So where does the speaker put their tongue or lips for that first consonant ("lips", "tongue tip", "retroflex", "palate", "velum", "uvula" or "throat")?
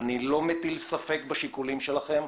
tongue tip